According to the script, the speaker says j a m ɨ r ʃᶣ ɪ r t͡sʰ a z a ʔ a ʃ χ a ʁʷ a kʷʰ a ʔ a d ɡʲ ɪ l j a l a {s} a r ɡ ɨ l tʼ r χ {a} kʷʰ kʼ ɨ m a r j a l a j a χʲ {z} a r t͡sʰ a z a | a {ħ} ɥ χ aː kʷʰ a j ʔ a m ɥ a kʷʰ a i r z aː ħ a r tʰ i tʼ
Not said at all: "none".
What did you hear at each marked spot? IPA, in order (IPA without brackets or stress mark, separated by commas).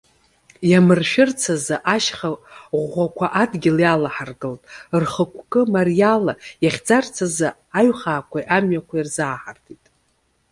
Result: ħ, ə, d͡z, none